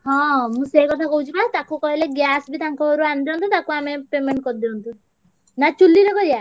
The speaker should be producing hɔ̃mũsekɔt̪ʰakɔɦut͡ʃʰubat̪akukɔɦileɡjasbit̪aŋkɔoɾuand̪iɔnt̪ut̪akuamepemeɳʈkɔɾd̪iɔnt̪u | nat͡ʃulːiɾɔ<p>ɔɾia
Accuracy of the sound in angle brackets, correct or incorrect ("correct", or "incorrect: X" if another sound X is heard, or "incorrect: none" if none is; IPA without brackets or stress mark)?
incorrect: k